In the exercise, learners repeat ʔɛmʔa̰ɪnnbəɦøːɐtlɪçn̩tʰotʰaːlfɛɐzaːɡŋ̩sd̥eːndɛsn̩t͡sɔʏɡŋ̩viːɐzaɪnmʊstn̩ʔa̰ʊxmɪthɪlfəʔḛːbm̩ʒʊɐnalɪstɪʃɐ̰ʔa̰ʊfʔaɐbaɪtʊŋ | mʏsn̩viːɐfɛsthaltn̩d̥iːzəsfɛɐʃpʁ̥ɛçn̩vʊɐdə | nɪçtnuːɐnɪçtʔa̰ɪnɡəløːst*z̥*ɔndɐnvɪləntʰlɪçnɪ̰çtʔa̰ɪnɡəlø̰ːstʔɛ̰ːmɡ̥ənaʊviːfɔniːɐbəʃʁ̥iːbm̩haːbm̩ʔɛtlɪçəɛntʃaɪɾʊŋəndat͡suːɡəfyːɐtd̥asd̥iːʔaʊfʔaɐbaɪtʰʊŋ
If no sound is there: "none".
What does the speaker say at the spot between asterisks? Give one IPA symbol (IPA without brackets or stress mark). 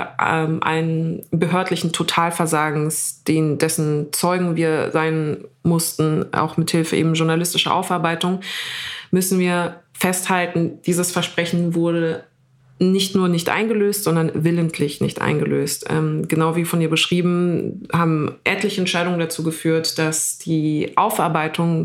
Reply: z̥